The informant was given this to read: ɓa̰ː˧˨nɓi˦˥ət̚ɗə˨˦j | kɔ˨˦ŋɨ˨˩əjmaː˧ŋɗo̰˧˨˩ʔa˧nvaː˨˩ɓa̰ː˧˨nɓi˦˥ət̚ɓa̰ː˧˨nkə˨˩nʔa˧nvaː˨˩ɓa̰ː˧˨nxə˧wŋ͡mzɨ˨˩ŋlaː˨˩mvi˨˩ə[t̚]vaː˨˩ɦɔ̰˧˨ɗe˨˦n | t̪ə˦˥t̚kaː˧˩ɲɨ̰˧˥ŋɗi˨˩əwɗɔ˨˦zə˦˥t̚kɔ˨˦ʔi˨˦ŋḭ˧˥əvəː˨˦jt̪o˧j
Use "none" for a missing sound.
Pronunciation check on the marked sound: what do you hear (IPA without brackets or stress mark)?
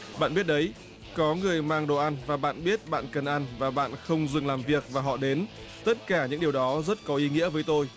k̚